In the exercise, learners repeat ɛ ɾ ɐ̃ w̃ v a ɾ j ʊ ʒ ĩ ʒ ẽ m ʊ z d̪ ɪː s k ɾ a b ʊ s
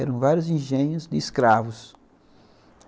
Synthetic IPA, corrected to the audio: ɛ ɾ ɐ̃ w̃ v a ɾ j ʊ z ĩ ʒ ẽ ɲ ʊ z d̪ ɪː s k ɾ a v ʊ s